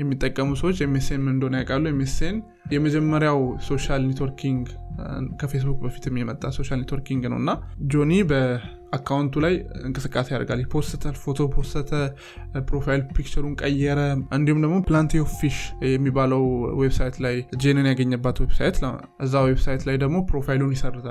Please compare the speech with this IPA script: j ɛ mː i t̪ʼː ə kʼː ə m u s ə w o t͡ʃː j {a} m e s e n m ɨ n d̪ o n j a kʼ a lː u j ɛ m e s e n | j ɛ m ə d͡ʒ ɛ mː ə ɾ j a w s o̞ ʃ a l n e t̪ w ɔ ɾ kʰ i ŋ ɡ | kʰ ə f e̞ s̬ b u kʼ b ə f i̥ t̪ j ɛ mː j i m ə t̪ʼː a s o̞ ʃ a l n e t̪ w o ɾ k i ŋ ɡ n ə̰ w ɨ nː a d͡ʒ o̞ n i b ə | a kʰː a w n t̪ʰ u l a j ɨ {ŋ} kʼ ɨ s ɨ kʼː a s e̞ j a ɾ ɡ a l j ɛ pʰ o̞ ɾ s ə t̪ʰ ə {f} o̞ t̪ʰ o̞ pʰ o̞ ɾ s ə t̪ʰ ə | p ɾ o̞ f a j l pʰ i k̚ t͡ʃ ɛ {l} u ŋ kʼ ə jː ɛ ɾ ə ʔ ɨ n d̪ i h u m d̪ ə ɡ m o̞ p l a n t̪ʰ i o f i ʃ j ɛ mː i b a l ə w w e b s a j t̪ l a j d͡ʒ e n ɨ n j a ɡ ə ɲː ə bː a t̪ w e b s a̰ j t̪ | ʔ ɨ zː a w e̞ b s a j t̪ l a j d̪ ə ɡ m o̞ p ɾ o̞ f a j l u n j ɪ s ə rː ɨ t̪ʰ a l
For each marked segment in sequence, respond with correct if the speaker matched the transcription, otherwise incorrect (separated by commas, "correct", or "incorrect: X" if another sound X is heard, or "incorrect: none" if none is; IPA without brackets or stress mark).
incorrect: ɛ, correct, correct, incorrect: ɾ